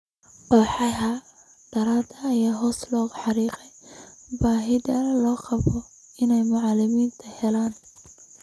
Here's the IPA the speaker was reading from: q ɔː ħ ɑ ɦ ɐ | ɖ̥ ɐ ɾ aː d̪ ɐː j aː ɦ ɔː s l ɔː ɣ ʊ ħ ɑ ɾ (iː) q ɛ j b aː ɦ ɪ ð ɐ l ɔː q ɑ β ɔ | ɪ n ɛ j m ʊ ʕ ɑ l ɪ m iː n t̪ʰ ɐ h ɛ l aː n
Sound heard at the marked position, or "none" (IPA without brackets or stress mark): iː